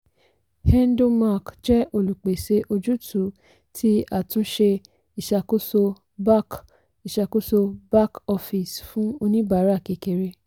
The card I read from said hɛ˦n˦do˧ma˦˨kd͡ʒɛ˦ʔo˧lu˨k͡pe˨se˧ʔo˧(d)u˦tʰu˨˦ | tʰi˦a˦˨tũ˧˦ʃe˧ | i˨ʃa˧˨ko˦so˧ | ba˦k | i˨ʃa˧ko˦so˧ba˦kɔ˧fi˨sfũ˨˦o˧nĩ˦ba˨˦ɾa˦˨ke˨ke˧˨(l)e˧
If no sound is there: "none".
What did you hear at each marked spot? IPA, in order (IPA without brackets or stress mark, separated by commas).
d͡ʒ, ɾ